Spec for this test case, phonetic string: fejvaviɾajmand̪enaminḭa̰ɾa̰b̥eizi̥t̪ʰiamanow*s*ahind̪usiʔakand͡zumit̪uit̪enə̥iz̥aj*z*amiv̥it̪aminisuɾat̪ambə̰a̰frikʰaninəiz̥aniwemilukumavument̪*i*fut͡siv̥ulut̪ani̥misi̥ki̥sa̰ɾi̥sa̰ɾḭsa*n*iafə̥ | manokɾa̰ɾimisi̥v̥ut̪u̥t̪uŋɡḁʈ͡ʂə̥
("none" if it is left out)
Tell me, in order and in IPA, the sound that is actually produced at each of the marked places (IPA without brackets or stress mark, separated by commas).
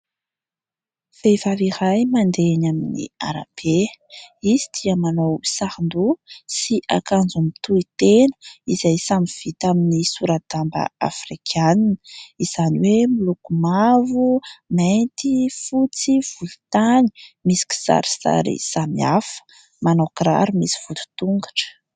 s, s, i, m